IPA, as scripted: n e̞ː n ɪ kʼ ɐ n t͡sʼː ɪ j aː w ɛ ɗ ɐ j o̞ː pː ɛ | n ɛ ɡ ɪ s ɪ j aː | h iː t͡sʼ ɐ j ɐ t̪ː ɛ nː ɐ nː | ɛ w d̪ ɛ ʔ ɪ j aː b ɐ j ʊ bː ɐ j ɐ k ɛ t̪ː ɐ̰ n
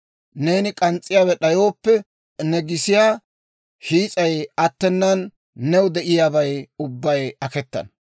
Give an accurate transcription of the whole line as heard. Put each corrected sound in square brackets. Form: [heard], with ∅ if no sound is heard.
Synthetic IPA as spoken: n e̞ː n ɪ kʼ ɐ n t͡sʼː ɪ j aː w ɛ ɗ ɐ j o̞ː pː ɛ | n ɛ ɡ ɪ s ɪ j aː | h iː t͡sʼ ɐ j ɐ t̪ː ɛ nː ɐ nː | ɛ w d̪ ɛ ʔ ɪ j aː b ɐ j ʊ bː ɐ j ɐ k ɛ t̪ː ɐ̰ n